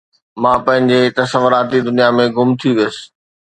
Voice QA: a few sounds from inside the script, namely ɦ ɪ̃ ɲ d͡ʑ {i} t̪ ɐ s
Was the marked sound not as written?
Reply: yes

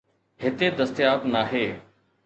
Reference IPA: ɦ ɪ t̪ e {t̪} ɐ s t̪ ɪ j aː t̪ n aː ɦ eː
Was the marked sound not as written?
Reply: yes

